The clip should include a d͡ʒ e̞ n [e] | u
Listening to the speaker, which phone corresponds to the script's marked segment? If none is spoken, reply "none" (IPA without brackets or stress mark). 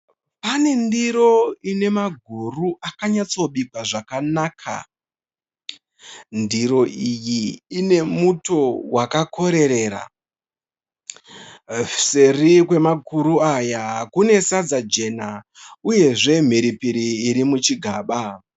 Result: a